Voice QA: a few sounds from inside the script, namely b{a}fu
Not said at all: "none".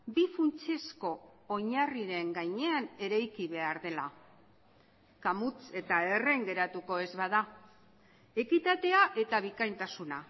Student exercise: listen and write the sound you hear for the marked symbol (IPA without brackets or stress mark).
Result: i